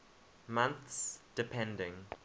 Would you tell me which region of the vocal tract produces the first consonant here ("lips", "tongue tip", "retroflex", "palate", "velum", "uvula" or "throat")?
lips